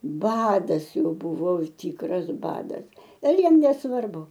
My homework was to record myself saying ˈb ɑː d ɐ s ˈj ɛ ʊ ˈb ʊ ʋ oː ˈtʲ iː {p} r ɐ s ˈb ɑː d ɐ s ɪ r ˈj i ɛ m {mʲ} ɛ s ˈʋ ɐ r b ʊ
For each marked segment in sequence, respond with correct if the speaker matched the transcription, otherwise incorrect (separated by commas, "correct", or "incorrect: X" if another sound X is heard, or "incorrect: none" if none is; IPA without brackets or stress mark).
incorrect: k, incorrect: nʲ